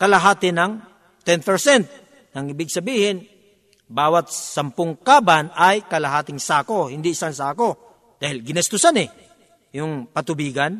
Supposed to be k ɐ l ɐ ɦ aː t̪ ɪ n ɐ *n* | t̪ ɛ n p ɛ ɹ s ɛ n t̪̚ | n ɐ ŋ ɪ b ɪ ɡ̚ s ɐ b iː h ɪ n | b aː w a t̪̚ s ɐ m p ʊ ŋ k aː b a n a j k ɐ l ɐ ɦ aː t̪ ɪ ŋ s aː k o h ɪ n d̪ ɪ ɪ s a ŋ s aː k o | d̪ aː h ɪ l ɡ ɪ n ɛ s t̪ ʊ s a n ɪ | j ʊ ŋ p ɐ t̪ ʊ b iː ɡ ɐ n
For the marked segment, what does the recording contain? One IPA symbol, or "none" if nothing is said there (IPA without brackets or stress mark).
ŋ